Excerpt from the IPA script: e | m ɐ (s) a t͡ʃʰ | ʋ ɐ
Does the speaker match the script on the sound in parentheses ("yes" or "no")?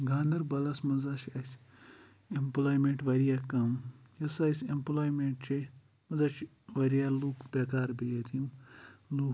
no